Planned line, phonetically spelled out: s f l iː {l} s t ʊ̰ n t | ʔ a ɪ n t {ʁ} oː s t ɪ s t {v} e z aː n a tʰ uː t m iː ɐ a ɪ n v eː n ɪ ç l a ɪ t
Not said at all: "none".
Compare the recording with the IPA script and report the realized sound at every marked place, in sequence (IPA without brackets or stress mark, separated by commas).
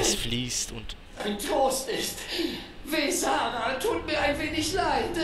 none, ʁ, v